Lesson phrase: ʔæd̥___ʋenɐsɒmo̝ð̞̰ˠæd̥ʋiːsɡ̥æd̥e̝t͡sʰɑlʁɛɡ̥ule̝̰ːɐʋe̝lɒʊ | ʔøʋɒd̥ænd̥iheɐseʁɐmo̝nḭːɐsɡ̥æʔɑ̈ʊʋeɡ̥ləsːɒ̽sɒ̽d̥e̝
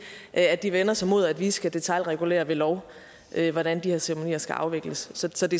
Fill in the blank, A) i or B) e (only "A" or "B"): A